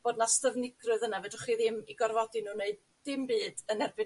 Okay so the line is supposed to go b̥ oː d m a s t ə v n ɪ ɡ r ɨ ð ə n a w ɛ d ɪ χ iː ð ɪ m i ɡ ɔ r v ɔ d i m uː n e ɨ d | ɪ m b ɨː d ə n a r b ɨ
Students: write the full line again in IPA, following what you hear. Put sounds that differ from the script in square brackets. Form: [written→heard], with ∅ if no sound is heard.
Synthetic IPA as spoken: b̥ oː d [m→n] a s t ə v n ɪ ɡ r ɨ ð ə n a [w→v] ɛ d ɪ χ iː ð ɪ m i ɡ ɔ r v ɔ d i [m→n] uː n e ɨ d | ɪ m b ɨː d ə n [a→ɛ] r b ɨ

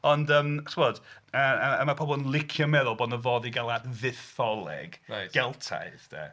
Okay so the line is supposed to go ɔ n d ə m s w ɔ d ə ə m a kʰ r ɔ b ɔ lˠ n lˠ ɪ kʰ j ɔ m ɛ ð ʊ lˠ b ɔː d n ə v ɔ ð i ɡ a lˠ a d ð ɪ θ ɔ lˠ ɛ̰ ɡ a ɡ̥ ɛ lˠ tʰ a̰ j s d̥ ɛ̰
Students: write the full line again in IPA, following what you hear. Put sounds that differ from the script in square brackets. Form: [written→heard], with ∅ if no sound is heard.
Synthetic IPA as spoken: ɔ n d ə m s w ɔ d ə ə m a [kʰ→pʰ] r ɔ b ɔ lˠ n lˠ ɪ kʰ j ɔ m ɛ ð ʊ lˠ b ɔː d n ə v ɔ ð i ɡ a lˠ a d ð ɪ θ ɔ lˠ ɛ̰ ɡ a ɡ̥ ɛ lˠ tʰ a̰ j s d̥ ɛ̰

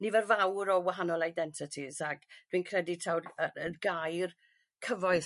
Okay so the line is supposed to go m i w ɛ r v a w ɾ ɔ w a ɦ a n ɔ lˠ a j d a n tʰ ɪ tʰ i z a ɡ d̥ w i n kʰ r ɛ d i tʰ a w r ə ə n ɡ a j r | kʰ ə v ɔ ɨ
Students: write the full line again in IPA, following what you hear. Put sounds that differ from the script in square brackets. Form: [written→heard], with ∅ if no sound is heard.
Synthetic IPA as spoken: [m→n] i [w→v] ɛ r v a w ɾ ɔ w a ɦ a n ɔ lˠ a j d [a→ɛ] n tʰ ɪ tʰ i z a ɡ d̥ w i n kʰ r ɛ d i tʰ a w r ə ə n ɡ a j r | kʰ ə v ɔ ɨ

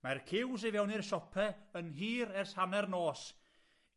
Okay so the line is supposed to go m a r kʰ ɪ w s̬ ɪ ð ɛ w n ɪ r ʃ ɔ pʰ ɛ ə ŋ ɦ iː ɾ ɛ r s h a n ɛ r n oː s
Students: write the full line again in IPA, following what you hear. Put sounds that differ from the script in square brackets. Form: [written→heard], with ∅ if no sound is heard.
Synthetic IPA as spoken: m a r kʰ ɪ w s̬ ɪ [ð→v] ɛ w n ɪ r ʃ ɔ pʰ ɛ ə [ŋ→n] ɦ iː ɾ ɛ r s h a n ɛ r n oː s

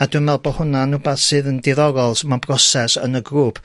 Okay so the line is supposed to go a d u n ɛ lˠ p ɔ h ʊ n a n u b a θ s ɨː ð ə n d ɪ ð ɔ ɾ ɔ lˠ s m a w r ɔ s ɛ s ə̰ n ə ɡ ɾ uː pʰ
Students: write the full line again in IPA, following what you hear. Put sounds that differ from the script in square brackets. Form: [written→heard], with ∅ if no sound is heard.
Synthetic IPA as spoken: a d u [n→m] ɛ lˠ [p→b] ɔ h ʊ n a n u b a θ s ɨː ð ə n d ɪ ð ɔ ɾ ɔ lˠ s m a [w→b] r ɔ s ɛ s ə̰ n ə ɡ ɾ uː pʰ

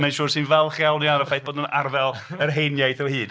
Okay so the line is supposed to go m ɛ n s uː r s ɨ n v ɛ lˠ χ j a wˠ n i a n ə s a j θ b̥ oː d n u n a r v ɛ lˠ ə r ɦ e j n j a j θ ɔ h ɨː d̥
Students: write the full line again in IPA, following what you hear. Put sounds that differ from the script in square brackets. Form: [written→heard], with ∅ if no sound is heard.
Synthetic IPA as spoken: m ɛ n [s→ʃ] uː r s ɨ n v ɛ lˠ χ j a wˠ n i a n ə [s→f] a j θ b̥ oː d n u n a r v ɛ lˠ ə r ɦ e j n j a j θ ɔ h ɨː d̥

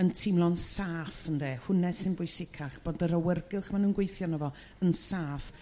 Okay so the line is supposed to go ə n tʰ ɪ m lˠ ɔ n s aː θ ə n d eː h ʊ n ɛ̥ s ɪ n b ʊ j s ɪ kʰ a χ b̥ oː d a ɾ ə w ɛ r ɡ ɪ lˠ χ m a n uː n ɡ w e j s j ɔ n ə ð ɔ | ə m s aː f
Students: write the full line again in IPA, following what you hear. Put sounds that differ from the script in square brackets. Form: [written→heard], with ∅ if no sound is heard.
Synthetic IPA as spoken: ə n tʰ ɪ m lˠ ɔ n s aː [θ→f] ə n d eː h ʊ n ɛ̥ s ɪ n b ʊ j s ɪ kʰ a χ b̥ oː d [a→ə] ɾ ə w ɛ r ɡ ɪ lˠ χ m a n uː n ɡ w e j [s→θ] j ɔ n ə [ð→v] ɔ | ə [m→n] s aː f

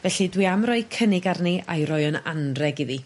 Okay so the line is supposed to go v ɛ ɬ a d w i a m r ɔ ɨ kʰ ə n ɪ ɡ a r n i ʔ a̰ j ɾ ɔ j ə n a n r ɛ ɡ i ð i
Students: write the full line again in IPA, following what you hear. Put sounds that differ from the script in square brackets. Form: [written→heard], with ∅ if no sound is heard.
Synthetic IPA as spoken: v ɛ ɬ [a→i] d w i a m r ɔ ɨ kʰ ə n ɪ ɡ a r n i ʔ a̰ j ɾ ɔ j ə n a n r ɛ ɡ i ð i

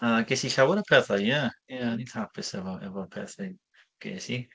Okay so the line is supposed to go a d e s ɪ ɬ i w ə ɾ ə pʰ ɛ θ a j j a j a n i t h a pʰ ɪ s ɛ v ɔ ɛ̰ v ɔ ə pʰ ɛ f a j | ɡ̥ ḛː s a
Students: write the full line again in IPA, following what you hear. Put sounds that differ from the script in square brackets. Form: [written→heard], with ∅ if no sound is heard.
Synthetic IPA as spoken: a [d→ɡ] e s [ɪ→i] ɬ [i→a] w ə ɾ ə pʰ ɛ θ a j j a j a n i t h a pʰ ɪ s ɛ v ɔ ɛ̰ v ɔ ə pʰ ɛ [f→θ] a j | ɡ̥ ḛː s [a→i]

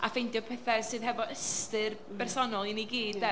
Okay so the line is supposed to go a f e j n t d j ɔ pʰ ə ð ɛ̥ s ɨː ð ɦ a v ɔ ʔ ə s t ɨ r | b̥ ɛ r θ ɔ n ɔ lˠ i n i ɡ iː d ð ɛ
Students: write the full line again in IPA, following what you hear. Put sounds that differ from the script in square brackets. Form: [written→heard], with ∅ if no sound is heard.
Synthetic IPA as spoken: a f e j n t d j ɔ pʰ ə [ð→θ] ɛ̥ s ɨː ð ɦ [a→ɛ] v ɔ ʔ ə s t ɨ r | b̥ ɛ r [θ→s] ɔ n ɔ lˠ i n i ɡ iː d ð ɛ

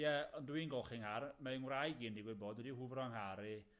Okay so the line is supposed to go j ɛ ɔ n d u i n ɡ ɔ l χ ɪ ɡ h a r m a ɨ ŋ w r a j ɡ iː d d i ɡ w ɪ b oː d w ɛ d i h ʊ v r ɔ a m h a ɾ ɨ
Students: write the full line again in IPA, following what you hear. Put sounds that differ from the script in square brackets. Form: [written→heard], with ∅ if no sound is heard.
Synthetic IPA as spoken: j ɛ ɔ n d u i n ɡ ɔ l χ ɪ [ɡ→ŋ] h a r m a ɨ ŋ w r a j ɡ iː [d→n] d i ɡ w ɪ b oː d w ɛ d i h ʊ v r ɔ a [m→ŋ] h a ɾ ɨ

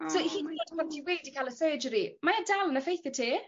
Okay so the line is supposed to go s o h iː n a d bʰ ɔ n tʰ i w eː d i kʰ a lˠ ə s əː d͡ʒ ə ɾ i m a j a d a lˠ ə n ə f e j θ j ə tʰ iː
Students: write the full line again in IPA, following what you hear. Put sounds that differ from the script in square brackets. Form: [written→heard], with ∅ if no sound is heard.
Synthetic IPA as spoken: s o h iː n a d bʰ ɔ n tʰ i w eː d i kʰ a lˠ ə s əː d͡ʒ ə ɾ i m a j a d a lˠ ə n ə f e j θ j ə tʰ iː

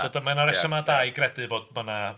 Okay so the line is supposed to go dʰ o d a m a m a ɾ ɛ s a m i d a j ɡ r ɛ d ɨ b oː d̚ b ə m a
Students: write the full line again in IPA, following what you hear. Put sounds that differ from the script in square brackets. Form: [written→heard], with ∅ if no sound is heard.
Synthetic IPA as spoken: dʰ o d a m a [m→n] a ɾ ɛ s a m [i→a] d a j ɡ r ɛ d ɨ [b→v] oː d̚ [b→m] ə [m→n] a

